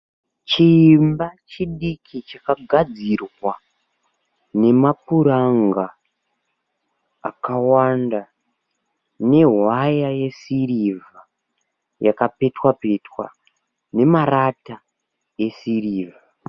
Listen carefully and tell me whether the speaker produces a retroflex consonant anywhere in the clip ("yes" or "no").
no